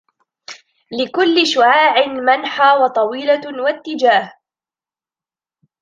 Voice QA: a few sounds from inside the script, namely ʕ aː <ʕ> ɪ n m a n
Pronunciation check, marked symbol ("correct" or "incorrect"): correct